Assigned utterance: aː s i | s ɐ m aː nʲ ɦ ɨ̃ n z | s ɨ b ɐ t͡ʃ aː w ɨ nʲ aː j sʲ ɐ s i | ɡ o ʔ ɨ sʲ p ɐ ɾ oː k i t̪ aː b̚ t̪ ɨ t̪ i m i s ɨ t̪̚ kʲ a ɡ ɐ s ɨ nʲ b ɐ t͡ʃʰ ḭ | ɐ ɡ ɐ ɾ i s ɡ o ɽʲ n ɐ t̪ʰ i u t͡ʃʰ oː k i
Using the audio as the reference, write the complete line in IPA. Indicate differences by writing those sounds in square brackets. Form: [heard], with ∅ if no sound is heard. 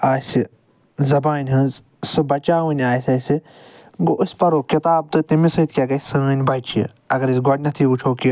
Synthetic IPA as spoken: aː s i | [z] ɐ [b] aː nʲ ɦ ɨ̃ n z | s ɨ b ɐ t͡ʃ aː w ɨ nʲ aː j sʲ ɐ s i | ɡ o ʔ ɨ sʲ p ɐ ɾ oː k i t̪ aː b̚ t̪ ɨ t̪ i m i s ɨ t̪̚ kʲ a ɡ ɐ s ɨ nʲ b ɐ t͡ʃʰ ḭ | ɐ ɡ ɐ ɾ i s ɡ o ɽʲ n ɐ t̪ʰ i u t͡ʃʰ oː k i